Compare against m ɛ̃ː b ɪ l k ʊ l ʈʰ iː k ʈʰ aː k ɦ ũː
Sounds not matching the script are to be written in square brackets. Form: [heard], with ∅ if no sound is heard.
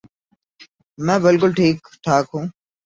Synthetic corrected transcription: m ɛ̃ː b ɪ l k ʊ l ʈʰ iː k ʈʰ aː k ɦ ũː